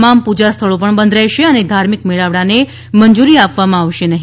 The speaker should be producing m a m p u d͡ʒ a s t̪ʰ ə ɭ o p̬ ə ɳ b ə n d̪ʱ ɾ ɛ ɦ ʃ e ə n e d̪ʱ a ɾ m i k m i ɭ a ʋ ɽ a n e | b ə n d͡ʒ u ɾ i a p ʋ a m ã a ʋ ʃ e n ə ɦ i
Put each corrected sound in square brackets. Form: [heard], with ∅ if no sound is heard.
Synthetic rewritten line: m a m p u d͡ʒ a s t̪ʰ ə ɭ o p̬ ə ɳ b ə n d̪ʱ ɾ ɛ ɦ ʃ e ə n e d̪ʱ a ɾ m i k m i ɭ a ʋ ɽ a n e | [m] ə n d͡ʒ u ɾ i a p ʋ a m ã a ʋ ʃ e n ə ɦ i